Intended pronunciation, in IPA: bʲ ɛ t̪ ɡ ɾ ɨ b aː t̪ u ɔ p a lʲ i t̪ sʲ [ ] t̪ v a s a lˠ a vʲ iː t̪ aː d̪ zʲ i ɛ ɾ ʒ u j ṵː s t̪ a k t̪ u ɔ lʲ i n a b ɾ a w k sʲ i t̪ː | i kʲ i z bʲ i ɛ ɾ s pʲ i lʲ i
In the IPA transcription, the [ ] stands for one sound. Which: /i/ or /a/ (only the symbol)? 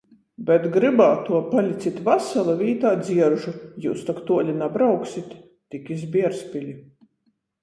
i